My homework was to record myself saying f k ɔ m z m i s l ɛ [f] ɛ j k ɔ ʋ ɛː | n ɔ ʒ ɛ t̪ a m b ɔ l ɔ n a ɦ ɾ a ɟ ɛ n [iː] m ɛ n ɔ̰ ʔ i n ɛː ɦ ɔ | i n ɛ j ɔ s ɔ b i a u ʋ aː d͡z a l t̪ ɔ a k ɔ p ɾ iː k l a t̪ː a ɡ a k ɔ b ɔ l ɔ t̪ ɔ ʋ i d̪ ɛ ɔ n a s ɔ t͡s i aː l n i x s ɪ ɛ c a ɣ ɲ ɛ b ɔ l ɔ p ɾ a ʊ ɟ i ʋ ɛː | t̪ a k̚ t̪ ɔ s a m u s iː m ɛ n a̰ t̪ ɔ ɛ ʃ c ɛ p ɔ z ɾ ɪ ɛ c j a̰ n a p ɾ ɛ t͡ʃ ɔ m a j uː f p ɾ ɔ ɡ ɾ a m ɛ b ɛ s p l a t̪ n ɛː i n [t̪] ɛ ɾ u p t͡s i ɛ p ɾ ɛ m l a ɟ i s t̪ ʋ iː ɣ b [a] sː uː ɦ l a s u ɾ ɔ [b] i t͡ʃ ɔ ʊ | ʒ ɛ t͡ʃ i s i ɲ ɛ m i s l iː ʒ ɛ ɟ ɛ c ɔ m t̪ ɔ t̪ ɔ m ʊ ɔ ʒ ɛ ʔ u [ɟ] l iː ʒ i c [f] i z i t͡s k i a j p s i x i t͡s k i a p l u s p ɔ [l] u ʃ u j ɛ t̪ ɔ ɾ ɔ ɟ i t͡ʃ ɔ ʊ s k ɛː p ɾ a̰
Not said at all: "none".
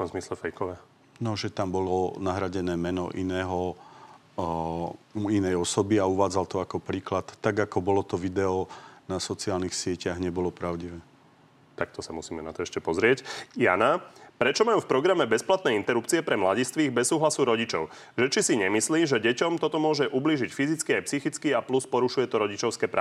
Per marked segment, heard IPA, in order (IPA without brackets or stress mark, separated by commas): f, ɛː, t̪, ɛ, ɟ, b, f, ɾ